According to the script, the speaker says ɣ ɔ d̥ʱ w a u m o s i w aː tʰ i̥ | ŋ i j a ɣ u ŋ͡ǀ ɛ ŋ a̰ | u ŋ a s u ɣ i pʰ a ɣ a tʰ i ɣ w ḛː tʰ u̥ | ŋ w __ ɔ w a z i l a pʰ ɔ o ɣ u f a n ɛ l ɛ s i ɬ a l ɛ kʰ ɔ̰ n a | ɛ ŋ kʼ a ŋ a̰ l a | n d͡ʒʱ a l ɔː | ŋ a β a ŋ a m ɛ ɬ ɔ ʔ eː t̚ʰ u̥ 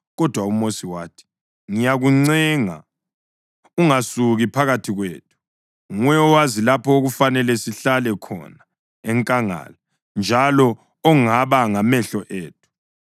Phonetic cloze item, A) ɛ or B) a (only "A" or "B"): A